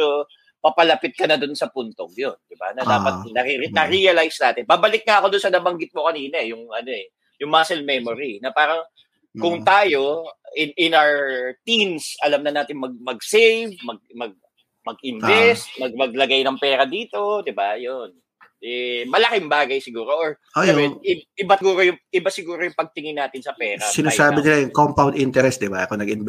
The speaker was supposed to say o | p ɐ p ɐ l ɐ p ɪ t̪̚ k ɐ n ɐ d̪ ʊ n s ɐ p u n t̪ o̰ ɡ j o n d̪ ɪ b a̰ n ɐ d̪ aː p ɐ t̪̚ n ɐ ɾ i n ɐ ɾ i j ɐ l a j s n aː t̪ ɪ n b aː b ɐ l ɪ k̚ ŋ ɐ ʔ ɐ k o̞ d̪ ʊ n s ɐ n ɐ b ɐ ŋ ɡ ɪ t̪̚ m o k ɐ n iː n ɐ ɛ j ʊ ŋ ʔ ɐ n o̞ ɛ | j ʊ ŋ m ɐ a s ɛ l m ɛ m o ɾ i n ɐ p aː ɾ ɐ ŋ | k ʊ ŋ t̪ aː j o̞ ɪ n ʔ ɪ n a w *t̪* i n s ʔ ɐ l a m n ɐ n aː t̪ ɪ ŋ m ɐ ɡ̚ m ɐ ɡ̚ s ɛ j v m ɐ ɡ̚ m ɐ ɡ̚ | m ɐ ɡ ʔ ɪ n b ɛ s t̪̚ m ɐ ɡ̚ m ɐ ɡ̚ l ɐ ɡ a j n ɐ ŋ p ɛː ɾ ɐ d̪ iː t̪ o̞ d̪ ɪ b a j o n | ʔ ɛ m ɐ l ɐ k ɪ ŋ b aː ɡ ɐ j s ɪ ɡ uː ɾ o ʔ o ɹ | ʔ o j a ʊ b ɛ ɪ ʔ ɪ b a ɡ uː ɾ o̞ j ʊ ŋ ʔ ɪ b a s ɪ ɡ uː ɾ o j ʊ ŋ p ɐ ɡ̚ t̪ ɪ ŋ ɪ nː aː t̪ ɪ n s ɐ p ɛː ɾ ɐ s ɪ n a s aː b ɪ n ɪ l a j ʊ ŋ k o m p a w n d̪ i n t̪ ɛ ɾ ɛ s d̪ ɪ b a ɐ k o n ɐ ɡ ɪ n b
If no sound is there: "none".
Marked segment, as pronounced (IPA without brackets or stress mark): t̪